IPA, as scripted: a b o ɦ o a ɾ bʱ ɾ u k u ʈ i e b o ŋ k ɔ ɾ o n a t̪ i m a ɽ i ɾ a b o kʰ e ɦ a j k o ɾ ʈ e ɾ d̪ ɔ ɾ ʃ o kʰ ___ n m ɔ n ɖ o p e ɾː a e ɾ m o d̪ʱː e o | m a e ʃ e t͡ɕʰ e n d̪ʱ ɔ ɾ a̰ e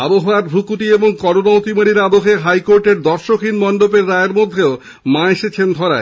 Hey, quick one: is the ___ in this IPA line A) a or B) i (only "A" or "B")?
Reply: B